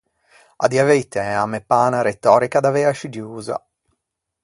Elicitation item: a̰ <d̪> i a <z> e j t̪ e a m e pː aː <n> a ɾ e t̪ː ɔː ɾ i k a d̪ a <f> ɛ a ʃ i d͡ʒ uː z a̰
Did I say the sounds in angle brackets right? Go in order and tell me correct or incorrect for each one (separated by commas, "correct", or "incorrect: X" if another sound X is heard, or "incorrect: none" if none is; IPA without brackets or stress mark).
correct, incorrect: v, correct, incorrect: v